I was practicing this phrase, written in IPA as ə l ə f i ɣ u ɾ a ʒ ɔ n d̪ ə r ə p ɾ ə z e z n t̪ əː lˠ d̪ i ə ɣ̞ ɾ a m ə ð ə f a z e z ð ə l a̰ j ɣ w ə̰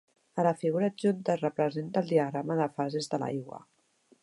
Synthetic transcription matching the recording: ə l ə f i ɣ u ɾ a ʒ u n t̪ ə r ə p ɾ ə z e n t̪ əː lˠ d̪ i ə ɣ̞ ɾ a m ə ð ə f a z e z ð ə l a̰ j ɣ w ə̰

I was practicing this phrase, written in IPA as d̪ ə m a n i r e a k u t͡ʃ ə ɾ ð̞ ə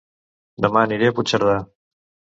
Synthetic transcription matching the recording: d̪ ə m a n i ɾ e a p u t͡ʃ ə ɾ ð̞ a

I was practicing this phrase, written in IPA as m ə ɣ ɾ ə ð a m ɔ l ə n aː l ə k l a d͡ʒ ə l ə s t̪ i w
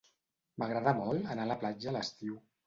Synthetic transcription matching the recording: m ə ɣ ɾ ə ð a m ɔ l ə n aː l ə p l a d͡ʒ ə l ə s t̪ i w

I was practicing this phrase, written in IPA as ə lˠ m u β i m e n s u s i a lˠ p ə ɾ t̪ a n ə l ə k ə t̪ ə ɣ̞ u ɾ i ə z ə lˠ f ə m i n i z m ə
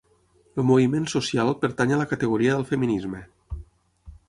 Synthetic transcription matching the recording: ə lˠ m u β i m e n s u s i a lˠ p ə ɾ t̪ a ɲ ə l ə k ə t̪ ə ɣ̞ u ɾ i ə ð ə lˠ f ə m i n i z m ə

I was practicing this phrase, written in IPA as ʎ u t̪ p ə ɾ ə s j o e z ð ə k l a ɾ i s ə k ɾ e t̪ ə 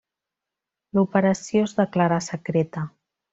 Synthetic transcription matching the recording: l u p ə ɾ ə s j o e z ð ə k l a ɾ a s ə k ɾ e t̪ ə

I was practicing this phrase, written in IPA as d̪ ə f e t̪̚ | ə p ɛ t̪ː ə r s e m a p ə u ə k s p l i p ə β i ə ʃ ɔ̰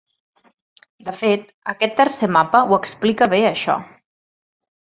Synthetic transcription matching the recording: d̪ ə f e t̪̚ | ə k ɛ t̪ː ə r s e m a p ə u ə k s p l i k ə β e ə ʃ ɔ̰

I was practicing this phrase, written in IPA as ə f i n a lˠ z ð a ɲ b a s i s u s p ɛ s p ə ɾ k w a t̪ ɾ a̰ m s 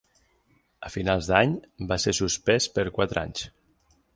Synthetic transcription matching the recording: ə f i n a lˠ z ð a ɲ b a s e s u s p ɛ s p ə ɾ k w a t̪ ɾ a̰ ɲ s

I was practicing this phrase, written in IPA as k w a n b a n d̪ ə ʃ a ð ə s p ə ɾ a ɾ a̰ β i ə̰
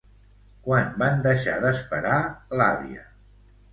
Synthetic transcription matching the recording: k w a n b a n d̪ ə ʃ a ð ə s p ə ɾ a l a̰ β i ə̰

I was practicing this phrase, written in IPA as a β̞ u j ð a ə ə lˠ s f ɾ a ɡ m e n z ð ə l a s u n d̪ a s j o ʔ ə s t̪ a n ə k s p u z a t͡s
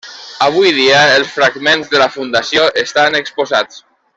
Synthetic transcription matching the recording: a β̞ u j ð i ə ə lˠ s f ɾ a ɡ m e n z ð ə l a f u n d̪ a s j o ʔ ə s t̪ a n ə k s p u z a t͡s

